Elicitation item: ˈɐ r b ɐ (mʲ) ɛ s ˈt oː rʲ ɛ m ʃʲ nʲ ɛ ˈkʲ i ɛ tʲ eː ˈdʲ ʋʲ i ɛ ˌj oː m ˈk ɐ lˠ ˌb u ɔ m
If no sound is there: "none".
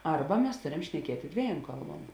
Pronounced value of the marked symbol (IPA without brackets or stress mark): mʲ